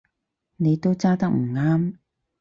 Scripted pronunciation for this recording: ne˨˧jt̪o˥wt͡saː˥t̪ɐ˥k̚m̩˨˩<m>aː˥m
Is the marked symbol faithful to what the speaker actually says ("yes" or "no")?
no